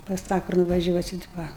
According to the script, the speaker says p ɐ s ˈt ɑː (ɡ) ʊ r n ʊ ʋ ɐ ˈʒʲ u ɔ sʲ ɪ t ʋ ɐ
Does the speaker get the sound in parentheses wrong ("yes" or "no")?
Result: yes